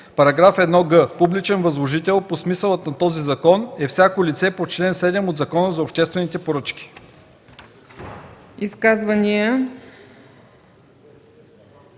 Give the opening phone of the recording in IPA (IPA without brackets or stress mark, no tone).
p